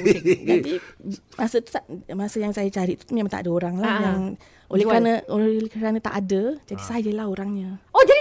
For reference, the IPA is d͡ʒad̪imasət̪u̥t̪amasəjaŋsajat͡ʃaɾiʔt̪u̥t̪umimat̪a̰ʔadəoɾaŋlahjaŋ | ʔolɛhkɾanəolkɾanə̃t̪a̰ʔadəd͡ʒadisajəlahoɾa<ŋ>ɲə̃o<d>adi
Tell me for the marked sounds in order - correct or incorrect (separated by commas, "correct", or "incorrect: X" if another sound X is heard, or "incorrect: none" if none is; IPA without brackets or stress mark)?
correct, incorrect: d͡ʒ